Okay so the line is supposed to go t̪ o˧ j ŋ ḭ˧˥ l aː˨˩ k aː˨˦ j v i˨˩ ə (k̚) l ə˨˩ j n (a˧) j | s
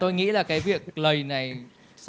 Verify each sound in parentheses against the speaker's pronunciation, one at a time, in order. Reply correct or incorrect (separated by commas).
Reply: correct, incorrect